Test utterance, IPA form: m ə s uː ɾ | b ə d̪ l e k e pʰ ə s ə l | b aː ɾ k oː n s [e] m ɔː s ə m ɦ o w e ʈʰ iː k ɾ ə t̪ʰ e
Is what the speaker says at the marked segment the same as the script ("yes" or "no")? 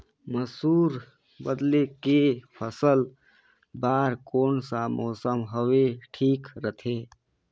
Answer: no